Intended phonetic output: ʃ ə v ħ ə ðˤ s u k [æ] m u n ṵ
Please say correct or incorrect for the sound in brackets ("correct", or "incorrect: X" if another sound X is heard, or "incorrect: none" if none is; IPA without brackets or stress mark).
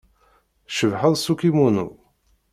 incorrect: i